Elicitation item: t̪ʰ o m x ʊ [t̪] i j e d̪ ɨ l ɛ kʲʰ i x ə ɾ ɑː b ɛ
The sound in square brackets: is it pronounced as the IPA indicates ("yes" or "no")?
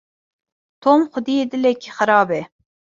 no